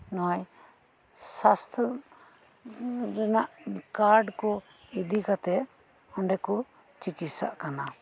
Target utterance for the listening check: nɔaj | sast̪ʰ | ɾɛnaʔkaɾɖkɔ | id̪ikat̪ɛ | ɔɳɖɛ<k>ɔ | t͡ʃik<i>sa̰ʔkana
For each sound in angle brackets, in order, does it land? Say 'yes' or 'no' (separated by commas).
yes, yes